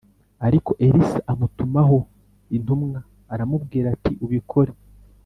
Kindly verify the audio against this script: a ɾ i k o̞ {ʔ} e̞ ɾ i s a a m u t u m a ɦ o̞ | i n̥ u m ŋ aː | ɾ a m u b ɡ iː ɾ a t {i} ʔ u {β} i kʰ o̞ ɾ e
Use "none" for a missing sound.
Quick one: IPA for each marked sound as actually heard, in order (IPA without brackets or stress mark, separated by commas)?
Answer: ʔ, i, β